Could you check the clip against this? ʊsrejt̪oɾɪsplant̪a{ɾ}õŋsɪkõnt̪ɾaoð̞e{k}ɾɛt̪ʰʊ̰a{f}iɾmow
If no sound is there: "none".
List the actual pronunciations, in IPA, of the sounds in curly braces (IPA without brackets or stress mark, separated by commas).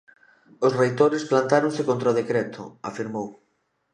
ɾ, k, f